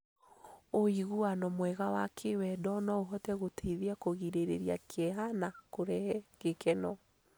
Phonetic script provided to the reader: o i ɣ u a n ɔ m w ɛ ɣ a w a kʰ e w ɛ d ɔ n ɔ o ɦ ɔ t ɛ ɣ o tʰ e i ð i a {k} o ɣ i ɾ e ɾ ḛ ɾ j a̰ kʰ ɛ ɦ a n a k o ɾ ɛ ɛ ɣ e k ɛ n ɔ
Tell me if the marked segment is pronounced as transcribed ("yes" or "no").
yes